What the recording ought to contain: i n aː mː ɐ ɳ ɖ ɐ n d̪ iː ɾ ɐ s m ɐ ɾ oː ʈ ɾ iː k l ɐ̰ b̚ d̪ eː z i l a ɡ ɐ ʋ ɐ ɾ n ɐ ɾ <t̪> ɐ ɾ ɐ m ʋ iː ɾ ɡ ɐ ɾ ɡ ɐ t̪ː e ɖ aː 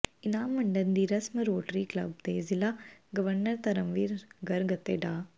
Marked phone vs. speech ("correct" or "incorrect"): correct